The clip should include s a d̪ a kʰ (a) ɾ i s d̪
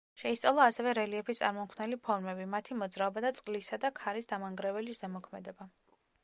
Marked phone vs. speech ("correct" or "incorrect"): correct